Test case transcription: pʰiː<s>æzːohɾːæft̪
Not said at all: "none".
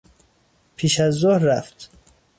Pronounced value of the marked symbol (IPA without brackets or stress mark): ʃ